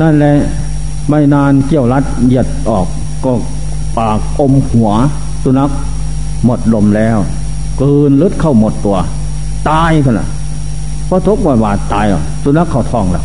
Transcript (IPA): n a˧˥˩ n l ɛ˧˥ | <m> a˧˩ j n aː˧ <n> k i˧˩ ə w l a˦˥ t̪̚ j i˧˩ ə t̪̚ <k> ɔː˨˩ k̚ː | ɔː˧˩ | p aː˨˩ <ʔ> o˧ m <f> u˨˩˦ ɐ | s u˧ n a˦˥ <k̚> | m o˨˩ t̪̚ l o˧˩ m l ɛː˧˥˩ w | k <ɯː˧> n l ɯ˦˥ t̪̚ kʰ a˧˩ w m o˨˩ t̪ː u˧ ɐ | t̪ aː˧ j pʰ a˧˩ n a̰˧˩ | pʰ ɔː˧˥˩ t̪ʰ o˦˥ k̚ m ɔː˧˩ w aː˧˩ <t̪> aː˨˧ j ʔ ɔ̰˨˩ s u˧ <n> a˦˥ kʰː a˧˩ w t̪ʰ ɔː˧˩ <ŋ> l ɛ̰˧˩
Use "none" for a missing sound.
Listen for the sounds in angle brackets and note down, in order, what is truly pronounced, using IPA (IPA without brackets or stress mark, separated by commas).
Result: m, n, ʔ, k, h, k̚, ɯː˧, t̪, n, ŋ